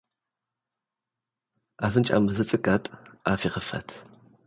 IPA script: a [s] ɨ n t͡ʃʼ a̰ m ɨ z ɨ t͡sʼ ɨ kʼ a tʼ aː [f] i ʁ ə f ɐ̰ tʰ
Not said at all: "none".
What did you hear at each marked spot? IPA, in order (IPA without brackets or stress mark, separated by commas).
f, f